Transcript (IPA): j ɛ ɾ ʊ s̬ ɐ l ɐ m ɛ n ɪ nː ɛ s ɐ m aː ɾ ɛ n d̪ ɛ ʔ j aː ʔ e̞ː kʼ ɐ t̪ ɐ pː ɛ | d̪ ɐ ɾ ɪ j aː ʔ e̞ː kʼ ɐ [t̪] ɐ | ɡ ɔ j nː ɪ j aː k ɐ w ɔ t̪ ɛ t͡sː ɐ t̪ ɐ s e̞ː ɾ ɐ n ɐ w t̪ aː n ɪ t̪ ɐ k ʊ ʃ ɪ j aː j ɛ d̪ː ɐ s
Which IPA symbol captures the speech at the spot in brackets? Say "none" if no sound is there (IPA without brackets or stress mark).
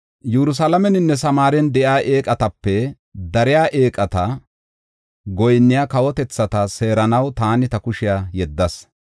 t̪